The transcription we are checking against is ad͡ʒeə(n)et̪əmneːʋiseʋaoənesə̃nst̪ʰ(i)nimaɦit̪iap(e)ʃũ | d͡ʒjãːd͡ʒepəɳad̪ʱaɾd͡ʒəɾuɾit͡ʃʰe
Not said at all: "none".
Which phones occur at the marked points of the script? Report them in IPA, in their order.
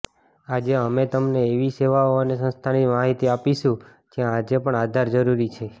m, a, i

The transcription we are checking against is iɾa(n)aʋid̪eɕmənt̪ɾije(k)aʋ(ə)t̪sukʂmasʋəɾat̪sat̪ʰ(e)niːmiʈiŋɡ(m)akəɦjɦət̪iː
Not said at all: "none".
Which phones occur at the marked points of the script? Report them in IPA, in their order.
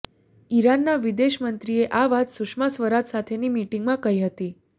nː, ʔ, a, e, m

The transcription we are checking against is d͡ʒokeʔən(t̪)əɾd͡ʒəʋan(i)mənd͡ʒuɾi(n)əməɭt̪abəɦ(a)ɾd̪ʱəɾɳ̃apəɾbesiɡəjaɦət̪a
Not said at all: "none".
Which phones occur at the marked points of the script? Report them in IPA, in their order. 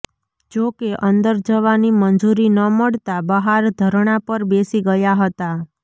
d̪, i, n, a

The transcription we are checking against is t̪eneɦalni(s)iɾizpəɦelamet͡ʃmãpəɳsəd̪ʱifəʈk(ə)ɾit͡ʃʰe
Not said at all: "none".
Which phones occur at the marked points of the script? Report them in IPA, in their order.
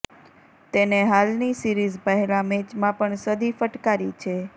s, a

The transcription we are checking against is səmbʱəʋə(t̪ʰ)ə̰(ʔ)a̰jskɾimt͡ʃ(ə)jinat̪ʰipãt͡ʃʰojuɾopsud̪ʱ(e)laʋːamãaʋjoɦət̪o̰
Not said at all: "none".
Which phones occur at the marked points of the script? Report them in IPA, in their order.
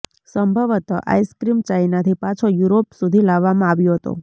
t̪, ʔ, a, i

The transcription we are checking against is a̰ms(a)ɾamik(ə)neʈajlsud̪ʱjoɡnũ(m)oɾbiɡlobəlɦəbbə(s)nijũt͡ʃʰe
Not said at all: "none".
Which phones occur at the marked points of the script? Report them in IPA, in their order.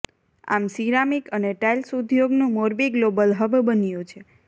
i, ə, m, none

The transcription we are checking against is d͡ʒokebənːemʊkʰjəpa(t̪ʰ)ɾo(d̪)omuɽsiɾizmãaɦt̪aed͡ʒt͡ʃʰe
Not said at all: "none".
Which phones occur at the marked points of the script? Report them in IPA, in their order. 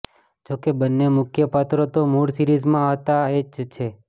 t̪, t̪

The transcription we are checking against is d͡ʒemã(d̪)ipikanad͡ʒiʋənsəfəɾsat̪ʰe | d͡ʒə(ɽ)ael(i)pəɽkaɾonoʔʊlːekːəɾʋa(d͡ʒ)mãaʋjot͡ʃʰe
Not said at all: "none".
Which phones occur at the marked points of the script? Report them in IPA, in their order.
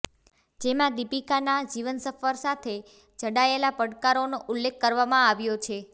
d̪, ɽ, a, none

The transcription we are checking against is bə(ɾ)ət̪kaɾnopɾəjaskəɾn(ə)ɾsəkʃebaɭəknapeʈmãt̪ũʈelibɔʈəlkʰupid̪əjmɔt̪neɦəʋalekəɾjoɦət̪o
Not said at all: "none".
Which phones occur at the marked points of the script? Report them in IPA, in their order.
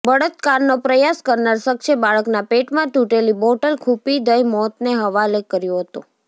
ɽ, a

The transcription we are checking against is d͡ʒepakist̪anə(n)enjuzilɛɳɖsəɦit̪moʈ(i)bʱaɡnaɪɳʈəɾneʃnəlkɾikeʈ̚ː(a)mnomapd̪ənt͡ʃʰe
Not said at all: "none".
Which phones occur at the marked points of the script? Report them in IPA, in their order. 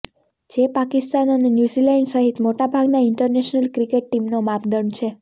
n, a, i

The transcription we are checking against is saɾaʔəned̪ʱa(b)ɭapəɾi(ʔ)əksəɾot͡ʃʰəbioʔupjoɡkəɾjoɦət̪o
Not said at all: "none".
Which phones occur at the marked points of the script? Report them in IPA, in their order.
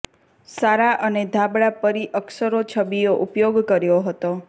b, ʔ

